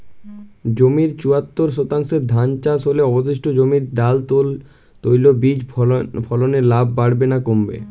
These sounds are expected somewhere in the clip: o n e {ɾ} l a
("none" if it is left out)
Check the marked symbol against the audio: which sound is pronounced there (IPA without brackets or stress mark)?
ɾ